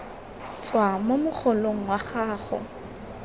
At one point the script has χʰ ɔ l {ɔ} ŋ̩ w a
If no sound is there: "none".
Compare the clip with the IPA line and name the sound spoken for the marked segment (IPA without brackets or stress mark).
o